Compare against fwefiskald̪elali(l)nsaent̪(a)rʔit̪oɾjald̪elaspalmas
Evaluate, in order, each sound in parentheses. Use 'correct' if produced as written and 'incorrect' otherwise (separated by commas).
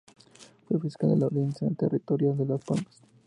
incorrect, incorrect